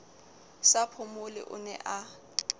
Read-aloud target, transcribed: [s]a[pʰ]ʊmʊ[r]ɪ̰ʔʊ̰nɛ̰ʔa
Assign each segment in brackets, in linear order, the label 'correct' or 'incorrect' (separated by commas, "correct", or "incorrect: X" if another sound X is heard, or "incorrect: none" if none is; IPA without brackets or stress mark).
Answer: correct, correct, incorrect: l